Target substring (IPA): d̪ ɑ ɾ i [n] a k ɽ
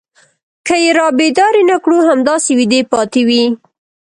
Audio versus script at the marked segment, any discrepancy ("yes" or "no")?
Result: no